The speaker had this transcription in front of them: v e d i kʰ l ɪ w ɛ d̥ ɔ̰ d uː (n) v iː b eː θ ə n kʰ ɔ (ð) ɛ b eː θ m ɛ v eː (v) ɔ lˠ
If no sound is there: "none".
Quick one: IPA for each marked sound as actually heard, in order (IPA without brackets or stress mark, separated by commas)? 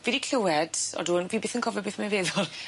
n, v, ð